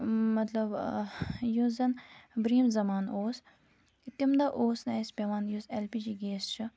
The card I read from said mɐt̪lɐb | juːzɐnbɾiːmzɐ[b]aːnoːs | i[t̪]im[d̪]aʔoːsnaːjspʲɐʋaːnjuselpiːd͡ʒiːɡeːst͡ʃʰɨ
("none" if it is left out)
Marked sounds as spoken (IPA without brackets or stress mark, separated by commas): m, t̪, d̪